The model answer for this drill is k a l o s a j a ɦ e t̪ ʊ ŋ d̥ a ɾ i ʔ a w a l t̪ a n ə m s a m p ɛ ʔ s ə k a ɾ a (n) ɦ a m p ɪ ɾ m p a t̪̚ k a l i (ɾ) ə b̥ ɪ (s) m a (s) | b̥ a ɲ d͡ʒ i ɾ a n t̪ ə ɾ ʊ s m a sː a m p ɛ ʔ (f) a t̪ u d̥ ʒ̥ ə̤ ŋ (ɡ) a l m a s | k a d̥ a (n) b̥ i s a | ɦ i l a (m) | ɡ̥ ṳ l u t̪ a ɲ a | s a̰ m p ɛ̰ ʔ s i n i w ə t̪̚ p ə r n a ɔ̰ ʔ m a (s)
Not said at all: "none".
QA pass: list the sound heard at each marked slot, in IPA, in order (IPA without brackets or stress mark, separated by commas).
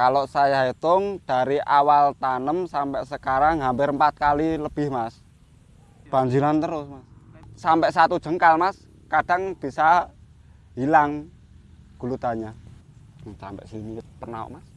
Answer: ŋ, l, h, s, s, k, ŋ, ŋ, s